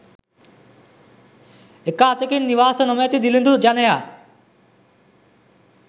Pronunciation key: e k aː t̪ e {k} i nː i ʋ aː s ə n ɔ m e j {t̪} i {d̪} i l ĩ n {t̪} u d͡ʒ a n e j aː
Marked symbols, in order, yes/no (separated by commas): yes, yes, yes, no